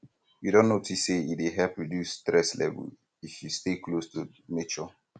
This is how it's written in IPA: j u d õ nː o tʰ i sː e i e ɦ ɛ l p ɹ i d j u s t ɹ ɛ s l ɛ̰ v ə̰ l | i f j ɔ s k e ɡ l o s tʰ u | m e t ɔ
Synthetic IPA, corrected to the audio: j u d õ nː o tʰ i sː e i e ɦ ɛ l p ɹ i d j u s t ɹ ɛ s l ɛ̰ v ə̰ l | i f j u s t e k l o s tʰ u | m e t͡ʃ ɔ